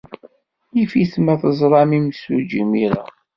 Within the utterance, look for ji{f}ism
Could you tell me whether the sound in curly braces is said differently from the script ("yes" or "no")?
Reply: no